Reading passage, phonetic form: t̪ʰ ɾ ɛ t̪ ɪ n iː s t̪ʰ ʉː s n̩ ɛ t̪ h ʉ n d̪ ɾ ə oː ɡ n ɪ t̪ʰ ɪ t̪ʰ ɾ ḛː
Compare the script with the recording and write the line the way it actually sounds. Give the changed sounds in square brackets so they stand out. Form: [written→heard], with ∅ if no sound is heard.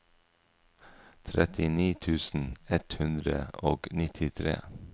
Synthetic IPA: t̪ʰ ɾ ɛ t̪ ɪ n iː [s→∅] t̪ʰ ʉː s n̩ ɛ t̪ h ʉ n d̪ ɾ ə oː ɡ n ɪ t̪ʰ ɪ t̪ʰ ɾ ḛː